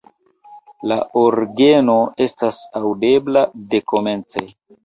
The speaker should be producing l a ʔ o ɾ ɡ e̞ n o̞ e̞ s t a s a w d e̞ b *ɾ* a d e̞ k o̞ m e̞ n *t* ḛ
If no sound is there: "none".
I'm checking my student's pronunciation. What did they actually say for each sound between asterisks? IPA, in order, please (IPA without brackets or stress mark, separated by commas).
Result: l, t͡s